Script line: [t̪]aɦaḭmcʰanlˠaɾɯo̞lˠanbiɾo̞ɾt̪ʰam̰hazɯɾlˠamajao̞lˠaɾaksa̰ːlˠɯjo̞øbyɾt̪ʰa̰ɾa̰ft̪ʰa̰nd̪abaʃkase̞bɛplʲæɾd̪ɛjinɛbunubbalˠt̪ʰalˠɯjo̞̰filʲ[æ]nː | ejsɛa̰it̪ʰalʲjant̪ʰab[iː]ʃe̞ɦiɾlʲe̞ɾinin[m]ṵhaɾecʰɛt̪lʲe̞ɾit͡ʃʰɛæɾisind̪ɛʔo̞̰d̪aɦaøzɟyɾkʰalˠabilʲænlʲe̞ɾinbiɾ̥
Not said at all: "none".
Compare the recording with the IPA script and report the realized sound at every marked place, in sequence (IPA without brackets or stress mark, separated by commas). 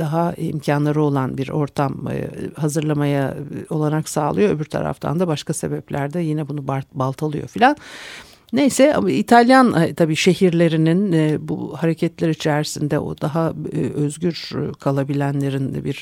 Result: d̪, a, iː, b